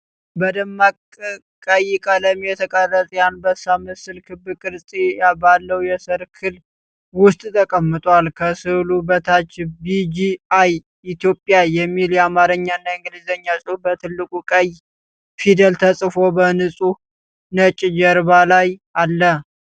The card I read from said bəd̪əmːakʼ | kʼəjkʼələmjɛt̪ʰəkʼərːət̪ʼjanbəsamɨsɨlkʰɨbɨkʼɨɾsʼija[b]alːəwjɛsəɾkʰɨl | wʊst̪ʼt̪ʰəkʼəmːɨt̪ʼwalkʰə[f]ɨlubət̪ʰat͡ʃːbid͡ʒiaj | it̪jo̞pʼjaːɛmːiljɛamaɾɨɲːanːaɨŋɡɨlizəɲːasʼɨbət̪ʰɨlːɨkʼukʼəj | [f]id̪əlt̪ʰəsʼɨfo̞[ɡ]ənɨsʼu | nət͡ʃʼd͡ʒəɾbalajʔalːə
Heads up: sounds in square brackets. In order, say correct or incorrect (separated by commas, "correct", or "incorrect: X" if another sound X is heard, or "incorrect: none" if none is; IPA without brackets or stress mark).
correct, incorrect: s, correct, incorrect: b